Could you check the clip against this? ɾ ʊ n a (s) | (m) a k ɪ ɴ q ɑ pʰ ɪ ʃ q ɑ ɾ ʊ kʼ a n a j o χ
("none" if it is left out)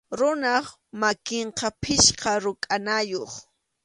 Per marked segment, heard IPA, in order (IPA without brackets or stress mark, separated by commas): χ, m